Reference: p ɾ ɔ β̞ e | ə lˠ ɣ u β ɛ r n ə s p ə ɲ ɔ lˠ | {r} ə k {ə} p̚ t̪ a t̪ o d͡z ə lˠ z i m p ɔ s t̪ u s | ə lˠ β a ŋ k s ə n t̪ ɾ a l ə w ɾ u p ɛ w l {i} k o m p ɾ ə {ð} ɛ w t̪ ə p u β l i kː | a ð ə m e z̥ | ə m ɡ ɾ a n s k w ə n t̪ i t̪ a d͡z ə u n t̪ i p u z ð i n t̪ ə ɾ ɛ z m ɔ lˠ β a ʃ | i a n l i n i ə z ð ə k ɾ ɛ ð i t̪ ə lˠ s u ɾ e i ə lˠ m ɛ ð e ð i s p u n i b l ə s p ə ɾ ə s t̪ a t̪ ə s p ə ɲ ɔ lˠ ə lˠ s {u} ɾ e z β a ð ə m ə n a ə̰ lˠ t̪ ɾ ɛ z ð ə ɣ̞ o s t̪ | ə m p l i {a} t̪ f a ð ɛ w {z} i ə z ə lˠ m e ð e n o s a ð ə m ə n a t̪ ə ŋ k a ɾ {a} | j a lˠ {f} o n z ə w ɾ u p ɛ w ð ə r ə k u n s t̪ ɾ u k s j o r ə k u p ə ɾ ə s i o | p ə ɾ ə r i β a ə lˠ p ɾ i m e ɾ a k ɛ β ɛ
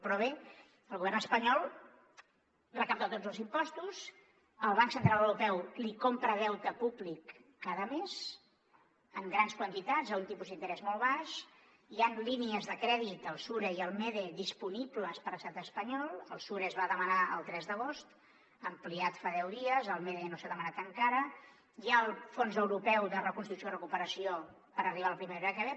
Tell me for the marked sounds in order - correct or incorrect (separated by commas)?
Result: correct, incorrect, correct, correct, correct, correct, incorrect, incorrect, correct